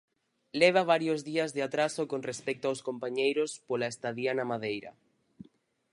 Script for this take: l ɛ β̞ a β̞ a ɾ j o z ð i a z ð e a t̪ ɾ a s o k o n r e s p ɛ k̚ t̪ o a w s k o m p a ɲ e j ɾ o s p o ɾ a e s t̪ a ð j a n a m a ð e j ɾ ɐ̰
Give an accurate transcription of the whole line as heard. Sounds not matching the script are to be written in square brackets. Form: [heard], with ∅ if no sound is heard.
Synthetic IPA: l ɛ β̞ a β̞ a ɾ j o z ð i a z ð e a t̪ ɾ a s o k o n r e s p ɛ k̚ t̪ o a w s k o m p a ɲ e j ɾ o s p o [l] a e s t̪ a ð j a n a m a ð e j ɾ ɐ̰